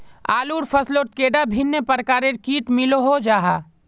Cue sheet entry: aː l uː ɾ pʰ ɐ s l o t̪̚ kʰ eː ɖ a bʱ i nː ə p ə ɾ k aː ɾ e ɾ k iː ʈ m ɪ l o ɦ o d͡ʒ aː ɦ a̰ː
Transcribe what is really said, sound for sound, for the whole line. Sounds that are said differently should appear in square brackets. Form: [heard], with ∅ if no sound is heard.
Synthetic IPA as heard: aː l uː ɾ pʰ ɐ s l o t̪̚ [k] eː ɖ a bʱ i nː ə p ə ɾ k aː ɾ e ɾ k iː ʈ m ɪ l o ɦ o d͡ʒ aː ɦ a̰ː